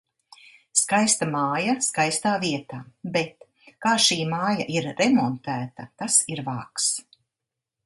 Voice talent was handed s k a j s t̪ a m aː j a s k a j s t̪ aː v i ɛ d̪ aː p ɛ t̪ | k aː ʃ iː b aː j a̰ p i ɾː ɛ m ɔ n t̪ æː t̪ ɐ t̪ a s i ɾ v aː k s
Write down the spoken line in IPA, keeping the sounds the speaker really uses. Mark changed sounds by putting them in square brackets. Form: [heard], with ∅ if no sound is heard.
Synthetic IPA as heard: s k a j s t̪ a m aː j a s k a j s t̪ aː v i ɛ [t̪] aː [b] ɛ t̪ | k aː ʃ iː [m] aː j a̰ [ʔ] i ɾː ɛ m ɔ n t̪ æː t̪ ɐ t̪ a s i ɾ v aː k s